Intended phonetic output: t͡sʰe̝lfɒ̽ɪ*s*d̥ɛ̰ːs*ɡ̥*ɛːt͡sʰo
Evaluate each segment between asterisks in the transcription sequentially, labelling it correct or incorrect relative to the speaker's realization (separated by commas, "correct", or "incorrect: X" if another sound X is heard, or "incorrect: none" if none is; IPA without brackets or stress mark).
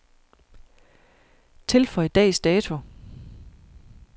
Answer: incorrect: none, incorrect: d̥